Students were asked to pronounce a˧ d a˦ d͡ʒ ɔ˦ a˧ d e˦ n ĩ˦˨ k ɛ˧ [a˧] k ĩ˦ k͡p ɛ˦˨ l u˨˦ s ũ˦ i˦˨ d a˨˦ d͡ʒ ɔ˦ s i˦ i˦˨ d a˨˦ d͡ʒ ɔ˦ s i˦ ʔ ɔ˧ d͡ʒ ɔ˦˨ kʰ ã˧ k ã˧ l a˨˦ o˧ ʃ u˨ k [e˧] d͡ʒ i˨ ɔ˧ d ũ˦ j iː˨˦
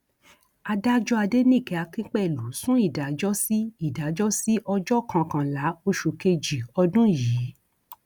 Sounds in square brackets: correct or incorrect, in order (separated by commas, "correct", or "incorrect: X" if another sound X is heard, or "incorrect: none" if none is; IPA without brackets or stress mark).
correct, correct